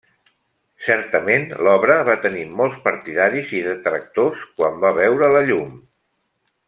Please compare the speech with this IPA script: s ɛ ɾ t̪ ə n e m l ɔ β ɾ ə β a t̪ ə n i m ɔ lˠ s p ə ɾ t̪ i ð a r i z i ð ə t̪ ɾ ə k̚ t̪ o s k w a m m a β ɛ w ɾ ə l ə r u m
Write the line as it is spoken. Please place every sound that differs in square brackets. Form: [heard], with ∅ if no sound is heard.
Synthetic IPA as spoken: s ɛ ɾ t̪ ə [m] e [n] l ɔ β ɾ ə β a t̪ ə n i m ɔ lˠ s p ə ɾ t̪ i ð a [ɾ] i z i ð ə t̪ ɾ ə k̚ t̪ o s k w a m [b] a β ɛ w ɾ ə l ə [ʎ] u m